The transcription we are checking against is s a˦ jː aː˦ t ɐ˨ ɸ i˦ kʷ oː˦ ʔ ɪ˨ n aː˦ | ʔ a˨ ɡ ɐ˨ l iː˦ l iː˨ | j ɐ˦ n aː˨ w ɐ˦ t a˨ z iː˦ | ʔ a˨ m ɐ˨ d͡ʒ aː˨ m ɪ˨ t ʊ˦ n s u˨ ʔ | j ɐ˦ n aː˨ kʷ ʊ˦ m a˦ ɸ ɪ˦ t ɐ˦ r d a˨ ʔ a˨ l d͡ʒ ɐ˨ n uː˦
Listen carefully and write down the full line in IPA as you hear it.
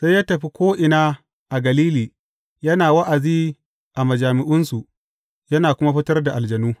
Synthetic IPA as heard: s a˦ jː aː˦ t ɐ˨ ɸ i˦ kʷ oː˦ ʔ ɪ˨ n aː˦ | ʔ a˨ ɡ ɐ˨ l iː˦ l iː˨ | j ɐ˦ n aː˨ w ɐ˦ ʔ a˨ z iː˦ | ʔ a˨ m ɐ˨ d͡ʒ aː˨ m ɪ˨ ʔ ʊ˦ n s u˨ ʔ | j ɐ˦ n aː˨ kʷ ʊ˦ m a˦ ɸ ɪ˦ t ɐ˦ r d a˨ ʔ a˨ l d͡ʒ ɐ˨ n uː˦